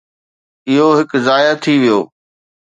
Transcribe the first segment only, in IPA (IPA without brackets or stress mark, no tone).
ɪ